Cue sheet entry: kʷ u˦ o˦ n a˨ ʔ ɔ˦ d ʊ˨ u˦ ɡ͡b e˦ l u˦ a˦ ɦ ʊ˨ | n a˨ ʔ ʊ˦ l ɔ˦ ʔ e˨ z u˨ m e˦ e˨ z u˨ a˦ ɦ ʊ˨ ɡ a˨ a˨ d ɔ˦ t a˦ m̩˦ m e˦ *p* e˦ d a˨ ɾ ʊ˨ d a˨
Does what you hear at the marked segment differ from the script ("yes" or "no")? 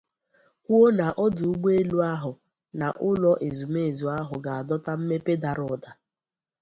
no